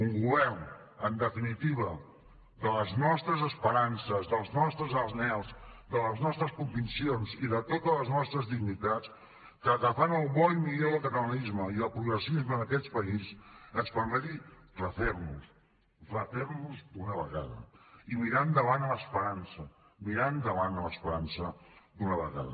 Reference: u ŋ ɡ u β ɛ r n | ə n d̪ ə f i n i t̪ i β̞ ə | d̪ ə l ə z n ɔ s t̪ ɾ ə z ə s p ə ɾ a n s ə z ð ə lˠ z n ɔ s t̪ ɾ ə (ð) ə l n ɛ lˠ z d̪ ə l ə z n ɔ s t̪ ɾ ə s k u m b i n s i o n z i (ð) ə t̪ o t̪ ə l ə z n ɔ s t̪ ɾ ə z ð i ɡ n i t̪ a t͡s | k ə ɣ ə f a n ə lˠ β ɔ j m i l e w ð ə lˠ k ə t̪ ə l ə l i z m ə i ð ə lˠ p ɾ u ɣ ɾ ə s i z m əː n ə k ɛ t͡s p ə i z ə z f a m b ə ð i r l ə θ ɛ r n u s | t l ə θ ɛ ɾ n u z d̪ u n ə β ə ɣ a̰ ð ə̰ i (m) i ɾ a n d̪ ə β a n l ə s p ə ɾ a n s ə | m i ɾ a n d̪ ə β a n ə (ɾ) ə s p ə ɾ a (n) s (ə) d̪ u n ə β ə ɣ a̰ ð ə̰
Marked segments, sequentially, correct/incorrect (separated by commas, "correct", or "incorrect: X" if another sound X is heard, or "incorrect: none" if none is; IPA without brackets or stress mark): incorrect: z, correct, correct, incorrect: l, correct, correct